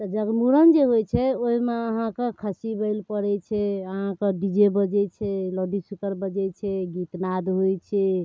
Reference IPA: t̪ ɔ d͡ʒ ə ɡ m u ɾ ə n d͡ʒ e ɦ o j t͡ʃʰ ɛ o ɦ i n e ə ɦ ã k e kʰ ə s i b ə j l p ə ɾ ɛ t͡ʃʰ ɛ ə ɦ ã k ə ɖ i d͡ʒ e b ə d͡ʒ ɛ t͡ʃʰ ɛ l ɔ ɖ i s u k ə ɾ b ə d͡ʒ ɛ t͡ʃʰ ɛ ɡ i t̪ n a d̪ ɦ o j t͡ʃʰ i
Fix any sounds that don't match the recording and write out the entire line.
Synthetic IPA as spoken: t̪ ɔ d͡ʒ ə ɡ m u ɾ ə n d͡ʒ e ɦ o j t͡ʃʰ ɛ o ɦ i m e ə ɦ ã k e kʰ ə s i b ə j l p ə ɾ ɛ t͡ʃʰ ɛ ə ɦ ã k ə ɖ i d͡ʒ e b ə d͡ʒ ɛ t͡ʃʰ ɛ l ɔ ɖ i s u k ə ɾ b ə d͡ʒ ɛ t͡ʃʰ ɛ ɡ i t̪ n a d̪ ɦ o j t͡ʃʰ ɛ